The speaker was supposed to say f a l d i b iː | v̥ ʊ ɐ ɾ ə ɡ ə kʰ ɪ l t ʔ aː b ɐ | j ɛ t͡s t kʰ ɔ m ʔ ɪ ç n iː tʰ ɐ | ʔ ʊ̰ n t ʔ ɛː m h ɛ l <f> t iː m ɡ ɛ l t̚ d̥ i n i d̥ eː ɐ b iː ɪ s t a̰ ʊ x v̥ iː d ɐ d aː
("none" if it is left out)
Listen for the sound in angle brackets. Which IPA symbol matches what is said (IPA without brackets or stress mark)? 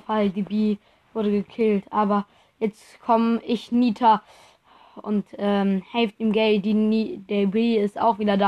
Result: f